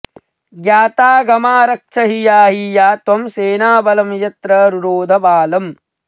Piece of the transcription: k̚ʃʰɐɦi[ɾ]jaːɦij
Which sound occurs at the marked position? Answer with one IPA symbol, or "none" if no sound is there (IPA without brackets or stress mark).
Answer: none